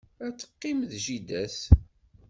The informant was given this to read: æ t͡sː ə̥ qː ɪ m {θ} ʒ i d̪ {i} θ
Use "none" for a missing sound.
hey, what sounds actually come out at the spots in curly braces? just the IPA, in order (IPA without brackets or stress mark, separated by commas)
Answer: ð, æ